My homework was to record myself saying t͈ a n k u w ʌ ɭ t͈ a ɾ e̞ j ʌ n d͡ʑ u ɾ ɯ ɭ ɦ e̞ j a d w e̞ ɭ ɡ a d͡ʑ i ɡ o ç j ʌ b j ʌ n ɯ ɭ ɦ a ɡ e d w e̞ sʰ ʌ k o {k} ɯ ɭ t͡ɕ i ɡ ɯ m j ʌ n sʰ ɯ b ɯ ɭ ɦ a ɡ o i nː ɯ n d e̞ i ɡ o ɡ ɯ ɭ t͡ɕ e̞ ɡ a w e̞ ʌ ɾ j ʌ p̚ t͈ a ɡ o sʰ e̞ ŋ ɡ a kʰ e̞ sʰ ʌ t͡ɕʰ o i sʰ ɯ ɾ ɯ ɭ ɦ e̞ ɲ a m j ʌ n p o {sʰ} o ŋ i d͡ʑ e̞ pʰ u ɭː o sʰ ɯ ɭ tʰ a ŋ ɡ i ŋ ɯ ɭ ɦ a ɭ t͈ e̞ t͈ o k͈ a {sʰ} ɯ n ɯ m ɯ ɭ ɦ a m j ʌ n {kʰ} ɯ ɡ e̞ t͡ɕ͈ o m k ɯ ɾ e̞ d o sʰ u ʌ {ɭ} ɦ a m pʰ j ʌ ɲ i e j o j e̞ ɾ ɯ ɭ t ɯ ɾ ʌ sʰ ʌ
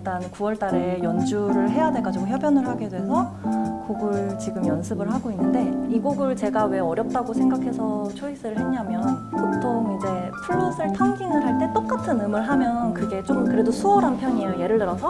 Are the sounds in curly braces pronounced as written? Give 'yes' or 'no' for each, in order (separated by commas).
no, no, no, no, no